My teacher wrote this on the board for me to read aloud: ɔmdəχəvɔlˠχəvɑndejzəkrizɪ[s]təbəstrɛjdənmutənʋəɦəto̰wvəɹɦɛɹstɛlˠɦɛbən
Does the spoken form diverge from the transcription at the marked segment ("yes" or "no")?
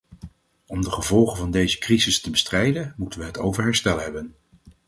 no